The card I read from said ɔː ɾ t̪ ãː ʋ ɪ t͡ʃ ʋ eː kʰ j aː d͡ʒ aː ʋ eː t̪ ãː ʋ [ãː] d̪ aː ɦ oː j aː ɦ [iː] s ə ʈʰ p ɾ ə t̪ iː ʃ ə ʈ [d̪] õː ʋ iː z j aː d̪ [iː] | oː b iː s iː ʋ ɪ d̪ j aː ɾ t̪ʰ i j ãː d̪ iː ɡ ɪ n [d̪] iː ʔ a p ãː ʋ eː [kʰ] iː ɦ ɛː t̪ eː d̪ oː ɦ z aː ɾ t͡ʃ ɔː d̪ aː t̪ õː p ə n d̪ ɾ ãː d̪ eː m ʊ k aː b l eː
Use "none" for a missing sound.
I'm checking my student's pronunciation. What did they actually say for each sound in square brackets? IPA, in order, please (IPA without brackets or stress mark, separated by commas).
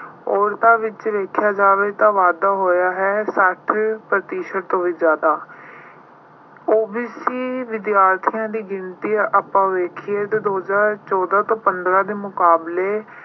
aː, ɛː, t̪, aː, t̪, kʰ